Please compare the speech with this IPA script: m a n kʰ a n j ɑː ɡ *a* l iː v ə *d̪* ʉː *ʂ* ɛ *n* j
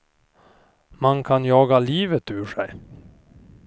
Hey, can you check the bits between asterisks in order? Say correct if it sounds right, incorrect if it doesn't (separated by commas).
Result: correct, incorrect, correct, incorrect